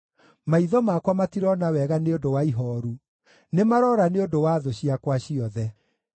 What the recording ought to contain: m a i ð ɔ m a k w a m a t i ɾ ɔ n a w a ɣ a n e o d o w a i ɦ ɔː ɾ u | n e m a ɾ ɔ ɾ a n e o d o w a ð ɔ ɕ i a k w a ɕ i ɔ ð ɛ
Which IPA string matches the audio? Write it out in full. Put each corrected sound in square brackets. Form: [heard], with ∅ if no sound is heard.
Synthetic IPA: m a i ð ɔ m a k w a m a t i ɾ ɔ n a w [ɛ] ɣ a n e o d o w a i ɦ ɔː ɾ u | n e m a ɾ ɔ ɾ a n e o d o w a ð [o] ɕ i a k w a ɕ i ɔ ð ɛ